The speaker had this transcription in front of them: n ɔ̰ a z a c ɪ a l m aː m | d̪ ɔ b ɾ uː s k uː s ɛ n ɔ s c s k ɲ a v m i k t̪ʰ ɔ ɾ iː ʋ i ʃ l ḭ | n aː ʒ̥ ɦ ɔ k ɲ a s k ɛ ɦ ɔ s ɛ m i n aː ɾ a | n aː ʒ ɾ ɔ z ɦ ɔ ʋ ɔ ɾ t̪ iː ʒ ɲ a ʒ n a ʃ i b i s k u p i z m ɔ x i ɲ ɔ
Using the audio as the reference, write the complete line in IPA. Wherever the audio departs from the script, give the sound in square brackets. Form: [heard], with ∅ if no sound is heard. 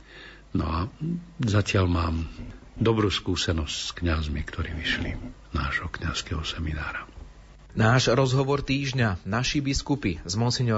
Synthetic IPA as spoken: n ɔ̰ a z a c ɪ a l m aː m | d̪ ɔ b ɾ uː s k uː s ɛ n ɔ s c s k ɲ a [z] m i k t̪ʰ ɔ ɾ iː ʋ i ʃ l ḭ | n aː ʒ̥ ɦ ɔ k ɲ a s k ɛ ɦ ɔ s ɛ m i n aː ɾ a | n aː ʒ ɾ ɔ z ɦ ɔ ʋ ɔ ɾ t̪ iː ʒ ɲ a [∅] n a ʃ i b i s k u p i z m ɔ [s] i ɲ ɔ